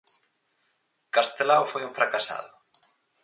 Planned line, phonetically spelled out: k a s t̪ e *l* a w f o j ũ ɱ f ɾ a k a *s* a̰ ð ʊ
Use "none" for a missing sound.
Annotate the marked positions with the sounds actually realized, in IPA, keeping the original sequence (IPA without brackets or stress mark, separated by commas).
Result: l, s